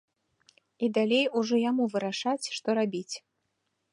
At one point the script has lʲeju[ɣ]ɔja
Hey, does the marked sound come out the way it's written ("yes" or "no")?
no